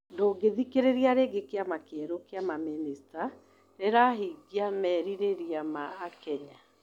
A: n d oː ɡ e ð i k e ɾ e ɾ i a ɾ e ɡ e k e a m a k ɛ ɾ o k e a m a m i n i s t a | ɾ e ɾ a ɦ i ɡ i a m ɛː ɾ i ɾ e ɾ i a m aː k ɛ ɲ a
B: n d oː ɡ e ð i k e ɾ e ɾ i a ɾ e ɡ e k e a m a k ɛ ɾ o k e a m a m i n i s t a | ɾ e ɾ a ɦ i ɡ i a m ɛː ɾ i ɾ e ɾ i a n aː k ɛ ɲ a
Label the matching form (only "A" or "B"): A